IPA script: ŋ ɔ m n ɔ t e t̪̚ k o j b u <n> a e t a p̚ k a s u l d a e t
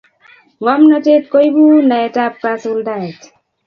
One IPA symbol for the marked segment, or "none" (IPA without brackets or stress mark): n